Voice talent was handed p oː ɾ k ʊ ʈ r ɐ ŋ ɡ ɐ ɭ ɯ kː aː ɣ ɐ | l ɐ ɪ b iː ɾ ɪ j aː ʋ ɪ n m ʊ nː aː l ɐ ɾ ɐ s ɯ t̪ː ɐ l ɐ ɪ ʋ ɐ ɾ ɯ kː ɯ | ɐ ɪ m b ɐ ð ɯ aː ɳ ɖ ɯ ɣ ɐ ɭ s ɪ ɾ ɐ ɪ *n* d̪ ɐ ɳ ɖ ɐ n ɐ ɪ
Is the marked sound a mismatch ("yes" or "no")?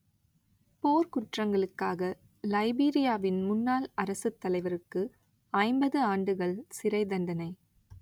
yes